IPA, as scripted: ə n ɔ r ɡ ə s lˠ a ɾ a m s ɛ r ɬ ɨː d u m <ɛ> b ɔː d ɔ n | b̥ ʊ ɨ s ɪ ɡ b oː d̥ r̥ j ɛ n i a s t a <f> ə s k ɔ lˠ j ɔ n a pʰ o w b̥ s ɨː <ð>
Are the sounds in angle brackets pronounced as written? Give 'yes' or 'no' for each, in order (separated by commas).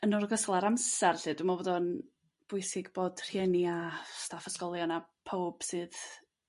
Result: no, yes, yes